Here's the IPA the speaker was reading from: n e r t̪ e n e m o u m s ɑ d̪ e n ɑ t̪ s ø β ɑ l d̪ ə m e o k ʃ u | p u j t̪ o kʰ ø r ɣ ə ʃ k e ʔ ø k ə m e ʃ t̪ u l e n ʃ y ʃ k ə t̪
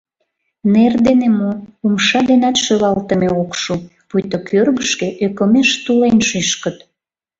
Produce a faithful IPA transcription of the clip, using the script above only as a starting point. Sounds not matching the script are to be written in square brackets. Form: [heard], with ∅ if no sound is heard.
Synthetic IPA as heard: n e r [d̪] e n e m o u m [ʃ] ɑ d̪ e n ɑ t̪ [ʃ] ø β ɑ l [t̪] ə m e o k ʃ u | p u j t̪ o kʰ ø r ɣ ə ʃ k e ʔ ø k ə m e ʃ t̪ u l e n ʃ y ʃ k ə t̪